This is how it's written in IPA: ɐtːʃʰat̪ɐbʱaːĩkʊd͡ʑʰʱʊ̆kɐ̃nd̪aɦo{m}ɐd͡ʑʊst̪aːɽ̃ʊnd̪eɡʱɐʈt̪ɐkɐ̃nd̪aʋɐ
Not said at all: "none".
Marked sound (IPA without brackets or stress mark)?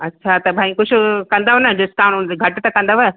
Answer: n